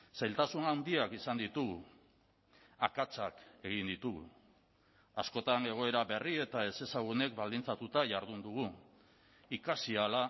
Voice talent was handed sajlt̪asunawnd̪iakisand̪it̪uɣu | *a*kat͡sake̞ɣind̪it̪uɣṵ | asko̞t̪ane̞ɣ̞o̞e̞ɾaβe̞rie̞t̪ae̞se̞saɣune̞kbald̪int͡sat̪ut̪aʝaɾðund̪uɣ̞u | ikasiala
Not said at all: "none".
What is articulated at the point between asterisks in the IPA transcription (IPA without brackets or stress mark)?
a